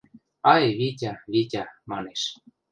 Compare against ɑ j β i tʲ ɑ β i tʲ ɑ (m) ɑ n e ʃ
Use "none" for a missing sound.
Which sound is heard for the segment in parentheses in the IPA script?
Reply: m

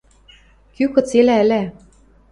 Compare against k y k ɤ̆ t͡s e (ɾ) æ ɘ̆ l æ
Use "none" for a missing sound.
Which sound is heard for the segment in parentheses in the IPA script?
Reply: l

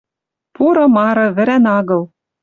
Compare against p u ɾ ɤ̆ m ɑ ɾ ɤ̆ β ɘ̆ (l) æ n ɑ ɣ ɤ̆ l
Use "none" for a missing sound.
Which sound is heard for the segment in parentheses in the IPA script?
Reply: ɾ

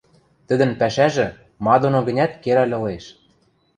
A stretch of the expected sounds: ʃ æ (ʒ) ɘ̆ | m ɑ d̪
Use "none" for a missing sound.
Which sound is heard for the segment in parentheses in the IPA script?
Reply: ʒ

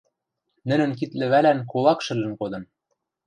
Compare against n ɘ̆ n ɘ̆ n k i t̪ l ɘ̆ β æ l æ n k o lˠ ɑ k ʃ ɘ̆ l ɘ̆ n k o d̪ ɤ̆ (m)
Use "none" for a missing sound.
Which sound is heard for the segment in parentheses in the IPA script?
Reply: n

